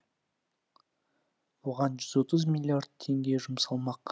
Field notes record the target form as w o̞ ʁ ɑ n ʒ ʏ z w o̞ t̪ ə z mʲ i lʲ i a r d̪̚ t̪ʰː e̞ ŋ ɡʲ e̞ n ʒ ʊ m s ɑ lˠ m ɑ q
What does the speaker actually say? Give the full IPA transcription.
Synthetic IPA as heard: w o̞ ʁ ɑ n ʒ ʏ z w o̞ t̪ ə z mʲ i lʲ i a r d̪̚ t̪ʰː e̞ ŋ ɡʲ e̞ ʒ ʊ m s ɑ lˠ m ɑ q